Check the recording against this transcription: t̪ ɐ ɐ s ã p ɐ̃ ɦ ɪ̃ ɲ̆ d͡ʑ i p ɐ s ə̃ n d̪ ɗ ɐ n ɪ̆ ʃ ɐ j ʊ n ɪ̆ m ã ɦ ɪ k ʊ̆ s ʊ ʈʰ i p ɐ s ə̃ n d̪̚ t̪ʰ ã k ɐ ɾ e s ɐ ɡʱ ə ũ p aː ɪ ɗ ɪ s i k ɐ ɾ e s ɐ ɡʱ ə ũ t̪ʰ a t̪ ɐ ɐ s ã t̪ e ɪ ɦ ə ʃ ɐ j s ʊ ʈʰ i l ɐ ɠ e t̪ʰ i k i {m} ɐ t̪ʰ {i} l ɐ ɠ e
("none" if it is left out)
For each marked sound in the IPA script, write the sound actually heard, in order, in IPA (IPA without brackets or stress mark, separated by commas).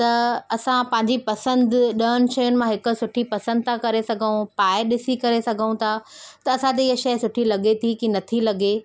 n, i